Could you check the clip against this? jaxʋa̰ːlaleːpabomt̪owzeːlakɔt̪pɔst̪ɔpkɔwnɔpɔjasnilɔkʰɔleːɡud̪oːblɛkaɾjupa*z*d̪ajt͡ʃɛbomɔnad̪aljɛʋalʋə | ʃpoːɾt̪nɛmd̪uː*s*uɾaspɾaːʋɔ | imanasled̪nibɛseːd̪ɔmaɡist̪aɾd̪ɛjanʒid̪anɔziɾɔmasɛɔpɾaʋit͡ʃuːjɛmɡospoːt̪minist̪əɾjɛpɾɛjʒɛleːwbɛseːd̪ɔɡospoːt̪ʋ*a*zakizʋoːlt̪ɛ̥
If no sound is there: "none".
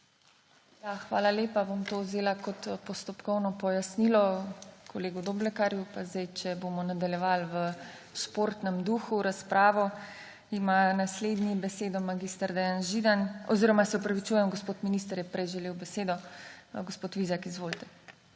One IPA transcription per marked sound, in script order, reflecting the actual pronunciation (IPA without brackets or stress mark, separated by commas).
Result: z, x, i